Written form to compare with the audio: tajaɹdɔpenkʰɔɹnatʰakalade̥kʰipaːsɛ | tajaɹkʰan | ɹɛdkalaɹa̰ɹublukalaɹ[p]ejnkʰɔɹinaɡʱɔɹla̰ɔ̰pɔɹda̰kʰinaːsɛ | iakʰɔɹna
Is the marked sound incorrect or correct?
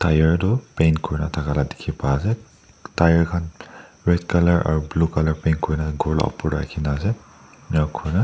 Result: correct